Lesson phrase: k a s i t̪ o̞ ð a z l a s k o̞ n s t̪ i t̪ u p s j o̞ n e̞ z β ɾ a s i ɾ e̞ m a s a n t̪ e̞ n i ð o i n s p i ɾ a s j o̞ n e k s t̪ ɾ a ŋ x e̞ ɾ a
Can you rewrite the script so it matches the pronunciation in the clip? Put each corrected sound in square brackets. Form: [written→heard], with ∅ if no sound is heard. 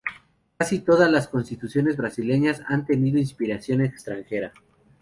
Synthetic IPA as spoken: k a s i t̪ o̞ ð a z l a s k o̞ n s t̪ i t̪ u [p→∅] s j o̞ n e̞ z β ɾ a s i [ɾ→l] e̞ [m→ɲ] a s a n t̪ e̞ n i ð o i n s p i ɾ a s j o̞ n e k s t̪ ɾ a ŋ x e̞ ɾ a